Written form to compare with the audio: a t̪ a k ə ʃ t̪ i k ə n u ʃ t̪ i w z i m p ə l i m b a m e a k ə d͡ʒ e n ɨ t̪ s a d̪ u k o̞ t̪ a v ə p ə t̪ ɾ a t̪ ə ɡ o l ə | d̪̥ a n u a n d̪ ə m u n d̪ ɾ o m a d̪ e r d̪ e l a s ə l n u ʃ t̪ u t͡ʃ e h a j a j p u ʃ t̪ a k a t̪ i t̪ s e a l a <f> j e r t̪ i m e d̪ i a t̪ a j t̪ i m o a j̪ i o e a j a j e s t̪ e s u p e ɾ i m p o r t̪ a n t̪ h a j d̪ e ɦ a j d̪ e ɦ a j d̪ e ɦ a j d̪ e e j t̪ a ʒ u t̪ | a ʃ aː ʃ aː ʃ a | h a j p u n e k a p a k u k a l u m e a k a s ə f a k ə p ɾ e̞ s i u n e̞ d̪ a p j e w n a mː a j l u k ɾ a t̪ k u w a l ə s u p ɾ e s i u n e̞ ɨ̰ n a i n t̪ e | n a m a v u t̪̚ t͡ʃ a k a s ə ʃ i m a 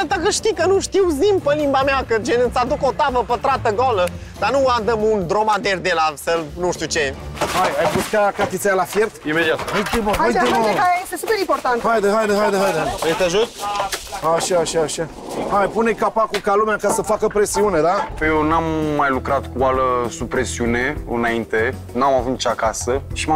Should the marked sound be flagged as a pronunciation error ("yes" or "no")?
no